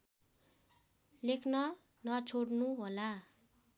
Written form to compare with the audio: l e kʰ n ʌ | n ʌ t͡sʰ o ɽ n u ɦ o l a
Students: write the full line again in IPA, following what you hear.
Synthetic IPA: l e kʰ n ʌ | n ʌ t͡sʰ o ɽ n u ɦ o l a